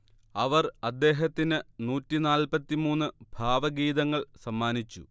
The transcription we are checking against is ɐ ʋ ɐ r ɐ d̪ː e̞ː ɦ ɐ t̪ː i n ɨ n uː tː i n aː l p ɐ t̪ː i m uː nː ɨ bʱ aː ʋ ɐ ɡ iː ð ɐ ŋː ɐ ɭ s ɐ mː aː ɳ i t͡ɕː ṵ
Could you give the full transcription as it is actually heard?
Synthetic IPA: ɐ ʋ ɐ r ɐ d̪ː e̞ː ɦ ɐ t̪ː i n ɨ n uː tː i n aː l p ɐ t̪ː i m uː nː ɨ bʱ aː ʋ ɐ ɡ iː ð ɐ ŋː ɐ ɭ s ɐ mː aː n i t͡ɕː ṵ